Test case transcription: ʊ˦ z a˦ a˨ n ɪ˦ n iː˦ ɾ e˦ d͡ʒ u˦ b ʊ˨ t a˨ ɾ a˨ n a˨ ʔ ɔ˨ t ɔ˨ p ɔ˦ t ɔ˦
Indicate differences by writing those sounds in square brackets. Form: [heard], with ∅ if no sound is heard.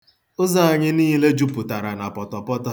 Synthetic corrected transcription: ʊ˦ z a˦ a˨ [ɲ] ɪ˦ n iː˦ [l] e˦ d͡ʒ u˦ [p] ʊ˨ t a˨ ɾ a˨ n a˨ [p] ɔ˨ t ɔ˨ p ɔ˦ t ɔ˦